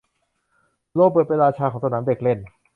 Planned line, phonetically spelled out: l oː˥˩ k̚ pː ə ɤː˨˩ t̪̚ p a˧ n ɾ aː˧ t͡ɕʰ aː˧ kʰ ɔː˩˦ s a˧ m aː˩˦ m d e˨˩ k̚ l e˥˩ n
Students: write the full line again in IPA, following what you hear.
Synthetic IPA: l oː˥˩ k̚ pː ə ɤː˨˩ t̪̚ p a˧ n ɾ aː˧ t͡ɕʰ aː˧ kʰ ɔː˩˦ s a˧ n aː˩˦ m d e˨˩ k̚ l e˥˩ n